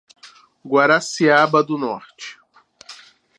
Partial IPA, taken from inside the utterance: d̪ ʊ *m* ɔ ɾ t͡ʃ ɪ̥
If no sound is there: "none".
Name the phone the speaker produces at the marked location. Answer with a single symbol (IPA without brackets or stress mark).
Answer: n